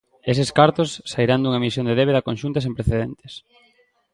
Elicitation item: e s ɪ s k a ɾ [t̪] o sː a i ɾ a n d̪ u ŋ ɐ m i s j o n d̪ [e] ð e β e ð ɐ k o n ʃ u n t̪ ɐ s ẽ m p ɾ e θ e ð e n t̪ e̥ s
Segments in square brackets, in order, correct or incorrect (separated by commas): correct, correct